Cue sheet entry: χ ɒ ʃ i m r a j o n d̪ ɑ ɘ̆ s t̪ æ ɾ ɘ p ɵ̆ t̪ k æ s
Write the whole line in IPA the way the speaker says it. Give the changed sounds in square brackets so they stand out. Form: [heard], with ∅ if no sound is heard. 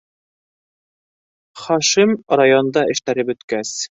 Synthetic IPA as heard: χ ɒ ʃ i m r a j o n d̪ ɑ ɘ̆ [ʃ] t̪ æ ɾ ɘ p ɵ̆ t̪ k æ s